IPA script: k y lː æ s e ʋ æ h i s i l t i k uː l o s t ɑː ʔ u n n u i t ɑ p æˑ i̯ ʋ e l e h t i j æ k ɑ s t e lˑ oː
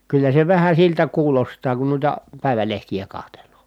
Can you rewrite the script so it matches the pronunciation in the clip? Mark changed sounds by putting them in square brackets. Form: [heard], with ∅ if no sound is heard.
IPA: k y lː æ s e ʋ æ h [æ] s i l t [æ] k uː l o s t ɑː [k] u n n u i t ɑ p æˑ i̯ ʋ [æ] l e h t i j æ k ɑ [h] t e lˑ oː